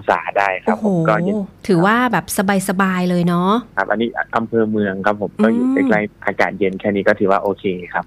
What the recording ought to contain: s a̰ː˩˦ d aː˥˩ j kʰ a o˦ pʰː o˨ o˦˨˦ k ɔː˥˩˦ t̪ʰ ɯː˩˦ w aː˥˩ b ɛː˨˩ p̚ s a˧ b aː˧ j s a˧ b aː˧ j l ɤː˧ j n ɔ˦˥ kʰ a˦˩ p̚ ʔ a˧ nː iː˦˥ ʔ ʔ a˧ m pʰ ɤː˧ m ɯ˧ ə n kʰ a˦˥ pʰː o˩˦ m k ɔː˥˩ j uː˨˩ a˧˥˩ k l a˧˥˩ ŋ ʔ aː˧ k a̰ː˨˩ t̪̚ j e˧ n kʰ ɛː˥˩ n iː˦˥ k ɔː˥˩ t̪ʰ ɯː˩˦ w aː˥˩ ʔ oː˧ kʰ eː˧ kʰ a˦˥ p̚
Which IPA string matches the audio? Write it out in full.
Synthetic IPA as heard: s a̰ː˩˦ d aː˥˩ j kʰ a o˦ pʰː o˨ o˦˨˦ k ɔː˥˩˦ t̪ʰ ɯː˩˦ w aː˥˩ b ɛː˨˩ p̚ s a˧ b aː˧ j s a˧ b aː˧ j l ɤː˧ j n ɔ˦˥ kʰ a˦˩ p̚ ʔ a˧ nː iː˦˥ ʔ ʔ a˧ m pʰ ɤː˧ m ɯ˧ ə ŋ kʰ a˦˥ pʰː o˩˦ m k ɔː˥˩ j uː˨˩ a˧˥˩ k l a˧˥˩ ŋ ʔ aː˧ k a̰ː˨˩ t̪̚ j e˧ n kʰ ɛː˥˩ n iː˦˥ k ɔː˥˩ t̪ʰ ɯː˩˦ w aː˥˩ ʔ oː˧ kʰ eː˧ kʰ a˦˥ p̚